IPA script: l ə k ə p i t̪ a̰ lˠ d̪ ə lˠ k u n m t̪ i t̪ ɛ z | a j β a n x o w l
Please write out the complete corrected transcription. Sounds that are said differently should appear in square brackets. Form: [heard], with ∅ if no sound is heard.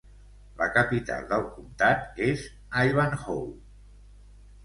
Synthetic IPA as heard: l ə k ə p i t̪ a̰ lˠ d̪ ə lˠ k u [∅] m t̪ [a] t̪ [e] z | a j β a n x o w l

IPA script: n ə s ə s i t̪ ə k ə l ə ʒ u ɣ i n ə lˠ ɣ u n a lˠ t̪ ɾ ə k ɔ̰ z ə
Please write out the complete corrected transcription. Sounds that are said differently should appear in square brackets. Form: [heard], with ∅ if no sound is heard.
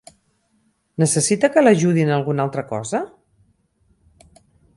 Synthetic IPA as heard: n ə s ə s i t̪ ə k ə l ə ʒ u [ð] i n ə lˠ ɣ u n a lˠ t̪ ɾ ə k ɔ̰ z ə

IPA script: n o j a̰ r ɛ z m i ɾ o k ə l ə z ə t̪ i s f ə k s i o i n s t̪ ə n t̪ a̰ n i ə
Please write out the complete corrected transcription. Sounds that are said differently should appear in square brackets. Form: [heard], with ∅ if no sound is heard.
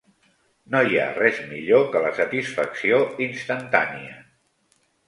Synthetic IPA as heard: n o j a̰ r ɛ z m i [ʎ] o k ə l ə [s] ə t̪ i s f ə k s i o i n s t̪ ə n t̪ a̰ n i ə

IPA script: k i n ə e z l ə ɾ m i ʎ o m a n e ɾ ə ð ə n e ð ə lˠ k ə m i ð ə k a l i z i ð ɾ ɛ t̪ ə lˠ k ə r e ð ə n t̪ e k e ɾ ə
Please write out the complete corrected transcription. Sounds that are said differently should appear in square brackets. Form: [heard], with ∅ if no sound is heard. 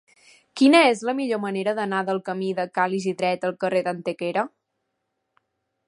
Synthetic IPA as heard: k i n ə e z l ə [∅] m i ʎ o m [ə] n e ɾ ə ð ə n [a] ð ə lˠ k ə m i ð ə k a l i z i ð ɾ ɛ t̪ ə lˠ k ə r e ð ə n t̪ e k e ɾ ə

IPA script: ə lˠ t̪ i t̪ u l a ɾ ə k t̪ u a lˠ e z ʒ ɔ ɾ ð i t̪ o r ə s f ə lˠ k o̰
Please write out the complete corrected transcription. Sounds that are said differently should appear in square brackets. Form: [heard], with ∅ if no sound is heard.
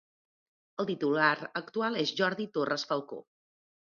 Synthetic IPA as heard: ə lˠ t̪ i t̪ u l a ɾ ə k t̪ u a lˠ e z ʒ ɔ ɾ ð i t̪ o r ə s f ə lˠ k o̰

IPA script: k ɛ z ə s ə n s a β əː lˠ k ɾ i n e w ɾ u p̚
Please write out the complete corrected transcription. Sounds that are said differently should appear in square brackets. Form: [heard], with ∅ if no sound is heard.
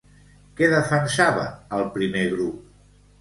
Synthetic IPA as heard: k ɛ [ð] ə [f] ə n s a β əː lˠ [p] ɾ i [m] e [ɣ] ɾ u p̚

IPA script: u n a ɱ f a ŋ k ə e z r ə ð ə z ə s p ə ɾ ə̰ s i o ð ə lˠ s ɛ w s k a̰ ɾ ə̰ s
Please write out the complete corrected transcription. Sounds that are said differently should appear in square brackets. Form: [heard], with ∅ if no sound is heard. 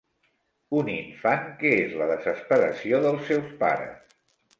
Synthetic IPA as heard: u n [i] ɱ f a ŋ k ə e z [l] ə ð ə z ə s p ə ɾ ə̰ s i o ð ə lˠ s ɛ w s [p] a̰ ɾ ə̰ s

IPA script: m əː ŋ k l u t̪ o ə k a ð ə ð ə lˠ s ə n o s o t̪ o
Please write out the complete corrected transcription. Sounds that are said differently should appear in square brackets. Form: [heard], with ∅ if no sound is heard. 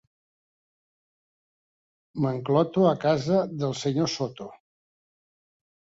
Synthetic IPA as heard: m [ə] ŋ k l [ɔ] t̪ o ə k a [z] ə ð ə lˠ s ə [ɲ] o s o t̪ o

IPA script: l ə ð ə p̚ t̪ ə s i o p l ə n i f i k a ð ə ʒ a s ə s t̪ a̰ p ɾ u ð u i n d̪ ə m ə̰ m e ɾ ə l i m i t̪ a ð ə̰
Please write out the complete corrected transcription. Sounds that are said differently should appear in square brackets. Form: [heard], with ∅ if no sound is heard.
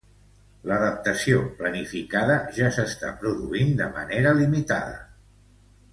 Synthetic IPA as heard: l ə ð ə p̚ t̪ ə s i o p l ə n i f i k a ð ə ʒ a s ə s t̪ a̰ p ɾ u ð u i n d̪ ə m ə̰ [n] e ɾ ə l i m i t̪ a ð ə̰

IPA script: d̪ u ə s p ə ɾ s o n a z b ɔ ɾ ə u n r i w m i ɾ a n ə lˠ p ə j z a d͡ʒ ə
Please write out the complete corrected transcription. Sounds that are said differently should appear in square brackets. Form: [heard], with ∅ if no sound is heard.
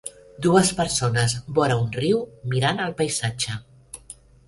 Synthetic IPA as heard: d̪ u ə s p ə ɾ s o n [ə] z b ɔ ɾ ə u n r i w m i ɾ a n ə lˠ p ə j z a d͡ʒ ə

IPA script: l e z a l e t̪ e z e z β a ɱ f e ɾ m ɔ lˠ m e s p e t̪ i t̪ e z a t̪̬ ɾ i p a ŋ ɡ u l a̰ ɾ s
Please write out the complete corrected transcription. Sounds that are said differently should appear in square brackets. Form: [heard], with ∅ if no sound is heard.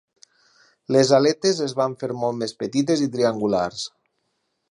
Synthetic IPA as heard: l e z a l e t̪ e z e z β a ɱ f e ɾ m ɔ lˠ m e s p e t̪ i t̪ e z [i] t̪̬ ɾ i [∅] a ŋ ɡ u l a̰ ɾ s

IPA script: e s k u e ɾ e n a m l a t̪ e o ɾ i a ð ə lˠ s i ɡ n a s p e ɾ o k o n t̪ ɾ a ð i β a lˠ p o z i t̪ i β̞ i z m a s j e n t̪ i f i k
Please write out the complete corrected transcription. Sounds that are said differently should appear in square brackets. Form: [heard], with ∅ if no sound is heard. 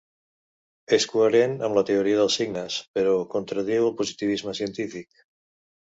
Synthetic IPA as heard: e s k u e ɾ e n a m l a t̪ e o ɾ i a ð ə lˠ s i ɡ n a s p e ɾ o k o n t̪ ɾ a ð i [w] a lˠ p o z i t̪ i β̞ i z m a s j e n t̪ i f i k

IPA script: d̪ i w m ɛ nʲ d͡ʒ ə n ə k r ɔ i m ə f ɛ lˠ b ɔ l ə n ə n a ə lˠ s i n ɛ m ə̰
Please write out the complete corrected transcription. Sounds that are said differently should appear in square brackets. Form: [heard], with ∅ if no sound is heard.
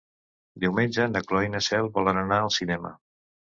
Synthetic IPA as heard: d̪ i w m [e] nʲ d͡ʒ ə n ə k [l] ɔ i [n] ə [s] ɛ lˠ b ɔ l ə n ə n a ə lˠ s i n ɛ m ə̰

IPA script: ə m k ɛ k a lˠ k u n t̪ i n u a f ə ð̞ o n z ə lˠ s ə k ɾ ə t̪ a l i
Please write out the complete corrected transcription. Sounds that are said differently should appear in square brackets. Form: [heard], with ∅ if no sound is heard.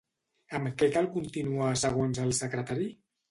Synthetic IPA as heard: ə m k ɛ k a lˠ k u n t̪ i n u a [s] ə [ɣ̞] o n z ə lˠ s ə k ɾ ə t̪ a [ɾ] i

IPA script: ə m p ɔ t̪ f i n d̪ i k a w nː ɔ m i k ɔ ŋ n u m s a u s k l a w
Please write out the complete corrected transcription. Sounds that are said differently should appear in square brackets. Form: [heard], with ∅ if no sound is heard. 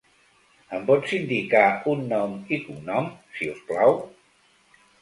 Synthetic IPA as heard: ə m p ɔ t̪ [s] i n d̪ i k a [u] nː ɔ m i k [u] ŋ n [ɔ] m s [i] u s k l a w

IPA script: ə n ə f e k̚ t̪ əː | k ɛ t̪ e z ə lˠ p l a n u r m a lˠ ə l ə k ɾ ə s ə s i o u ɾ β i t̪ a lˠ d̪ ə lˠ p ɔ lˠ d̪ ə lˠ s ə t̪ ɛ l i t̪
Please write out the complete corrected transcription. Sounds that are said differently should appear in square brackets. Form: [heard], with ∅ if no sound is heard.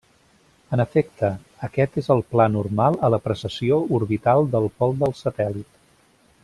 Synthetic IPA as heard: ə n ə f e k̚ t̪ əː | k ɛ t̪ e z ə lˠ p l a n u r m a lˠ ə l ə [p] ɾ ə s ə s i o u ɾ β i t̪ a lˠ d̪ ə lˠ p ɔ lˠ d̪ ə lˠ s ə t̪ ɛ l i t̪

